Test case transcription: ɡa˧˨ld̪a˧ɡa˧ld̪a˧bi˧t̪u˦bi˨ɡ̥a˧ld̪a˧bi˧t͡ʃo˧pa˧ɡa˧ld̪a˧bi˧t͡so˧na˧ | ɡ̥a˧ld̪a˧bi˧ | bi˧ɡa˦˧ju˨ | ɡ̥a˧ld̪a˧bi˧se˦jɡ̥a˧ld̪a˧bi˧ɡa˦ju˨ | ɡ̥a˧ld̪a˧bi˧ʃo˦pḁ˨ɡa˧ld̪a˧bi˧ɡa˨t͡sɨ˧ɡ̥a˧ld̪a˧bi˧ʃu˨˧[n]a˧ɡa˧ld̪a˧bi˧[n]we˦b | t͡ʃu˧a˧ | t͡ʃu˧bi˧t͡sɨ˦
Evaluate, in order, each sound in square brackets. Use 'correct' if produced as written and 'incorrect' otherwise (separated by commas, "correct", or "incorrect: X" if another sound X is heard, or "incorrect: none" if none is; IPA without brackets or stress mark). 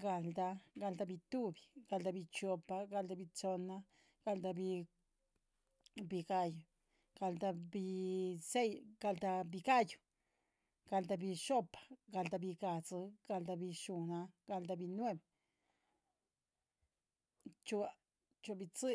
correct, correct